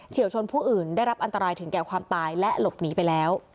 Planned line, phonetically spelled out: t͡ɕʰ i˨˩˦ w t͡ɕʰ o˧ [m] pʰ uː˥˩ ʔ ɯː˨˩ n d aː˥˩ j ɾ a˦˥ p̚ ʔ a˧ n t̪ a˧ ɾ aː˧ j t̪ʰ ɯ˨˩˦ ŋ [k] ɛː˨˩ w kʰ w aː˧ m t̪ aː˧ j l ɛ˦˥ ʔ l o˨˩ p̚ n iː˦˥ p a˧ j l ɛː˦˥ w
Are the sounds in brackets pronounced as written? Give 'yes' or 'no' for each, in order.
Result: no, yes

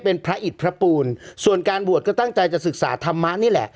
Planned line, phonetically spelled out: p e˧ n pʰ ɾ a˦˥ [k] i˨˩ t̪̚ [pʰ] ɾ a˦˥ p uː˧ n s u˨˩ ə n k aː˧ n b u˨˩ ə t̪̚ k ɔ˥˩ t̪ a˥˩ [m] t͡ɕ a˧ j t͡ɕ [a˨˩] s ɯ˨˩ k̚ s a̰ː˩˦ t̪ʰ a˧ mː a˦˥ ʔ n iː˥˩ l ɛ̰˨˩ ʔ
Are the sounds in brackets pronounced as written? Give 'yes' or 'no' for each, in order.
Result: no, yes, no, yes

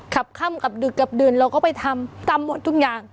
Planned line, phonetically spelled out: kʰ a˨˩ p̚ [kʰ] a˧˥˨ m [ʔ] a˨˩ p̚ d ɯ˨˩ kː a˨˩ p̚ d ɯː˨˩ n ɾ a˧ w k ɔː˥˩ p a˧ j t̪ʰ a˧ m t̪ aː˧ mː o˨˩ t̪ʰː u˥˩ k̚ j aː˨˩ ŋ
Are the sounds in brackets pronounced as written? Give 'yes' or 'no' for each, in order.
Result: yes, no

